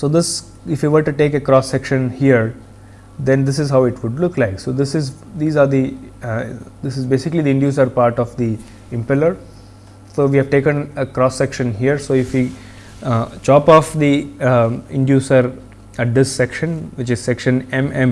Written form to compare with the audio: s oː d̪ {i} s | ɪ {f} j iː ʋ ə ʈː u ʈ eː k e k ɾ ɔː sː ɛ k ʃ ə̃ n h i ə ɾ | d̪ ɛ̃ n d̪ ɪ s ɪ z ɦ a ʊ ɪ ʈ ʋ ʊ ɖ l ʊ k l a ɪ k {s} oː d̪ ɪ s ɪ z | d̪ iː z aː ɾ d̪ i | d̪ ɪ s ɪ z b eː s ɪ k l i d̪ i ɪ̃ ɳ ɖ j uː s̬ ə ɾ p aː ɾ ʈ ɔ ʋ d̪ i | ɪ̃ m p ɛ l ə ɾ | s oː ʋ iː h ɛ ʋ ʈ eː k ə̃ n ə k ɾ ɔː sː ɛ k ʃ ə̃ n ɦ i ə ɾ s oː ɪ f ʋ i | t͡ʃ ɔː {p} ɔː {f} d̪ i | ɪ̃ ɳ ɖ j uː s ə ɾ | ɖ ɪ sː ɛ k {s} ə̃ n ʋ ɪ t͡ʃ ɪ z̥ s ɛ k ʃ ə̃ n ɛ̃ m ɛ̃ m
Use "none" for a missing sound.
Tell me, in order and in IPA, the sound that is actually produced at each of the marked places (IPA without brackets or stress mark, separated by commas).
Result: ɪ, f, s, p, f, ʃ